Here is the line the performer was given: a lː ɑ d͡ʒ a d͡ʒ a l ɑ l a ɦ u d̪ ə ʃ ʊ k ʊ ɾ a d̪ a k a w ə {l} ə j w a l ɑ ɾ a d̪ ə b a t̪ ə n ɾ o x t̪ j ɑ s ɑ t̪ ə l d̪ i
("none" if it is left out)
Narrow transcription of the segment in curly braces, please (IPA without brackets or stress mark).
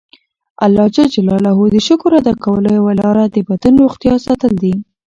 l